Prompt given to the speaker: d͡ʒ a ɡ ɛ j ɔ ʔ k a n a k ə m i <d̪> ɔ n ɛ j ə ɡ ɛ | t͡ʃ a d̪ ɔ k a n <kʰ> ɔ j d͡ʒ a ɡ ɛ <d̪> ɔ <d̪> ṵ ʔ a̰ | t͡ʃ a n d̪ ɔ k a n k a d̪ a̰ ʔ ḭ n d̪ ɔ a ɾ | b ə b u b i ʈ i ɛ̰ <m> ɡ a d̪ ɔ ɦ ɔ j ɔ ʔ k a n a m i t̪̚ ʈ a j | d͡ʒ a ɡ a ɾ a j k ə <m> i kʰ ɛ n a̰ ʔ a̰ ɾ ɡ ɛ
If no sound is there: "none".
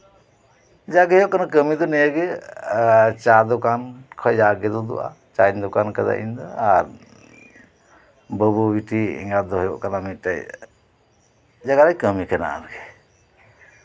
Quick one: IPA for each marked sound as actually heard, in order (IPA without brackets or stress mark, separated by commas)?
d̪, kʰ, d̪, d̪, ŋ, m